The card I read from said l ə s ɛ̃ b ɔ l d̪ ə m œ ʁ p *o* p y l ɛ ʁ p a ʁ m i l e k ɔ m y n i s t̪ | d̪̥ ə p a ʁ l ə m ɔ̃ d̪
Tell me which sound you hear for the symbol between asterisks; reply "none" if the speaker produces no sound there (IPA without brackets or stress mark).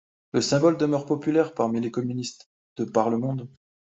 ɔ